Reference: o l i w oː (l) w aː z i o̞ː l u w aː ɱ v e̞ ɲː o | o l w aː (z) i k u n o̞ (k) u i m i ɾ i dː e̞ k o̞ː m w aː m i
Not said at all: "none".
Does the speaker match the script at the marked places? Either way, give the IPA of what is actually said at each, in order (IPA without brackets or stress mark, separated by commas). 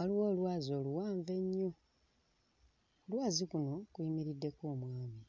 l, z, k